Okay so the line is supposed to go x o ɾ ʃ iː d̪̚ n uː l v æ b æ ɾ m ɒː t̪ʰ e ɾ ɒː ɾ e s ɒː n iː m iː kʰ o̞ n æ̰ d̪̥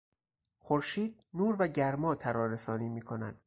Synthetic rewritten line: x o ɾ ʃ iː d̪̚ n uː ɾ v æ ɟ æ ɾ m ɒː t̪ʰ æ ɾ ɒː ɾ e s ɒː n iː m iː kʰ o̞ n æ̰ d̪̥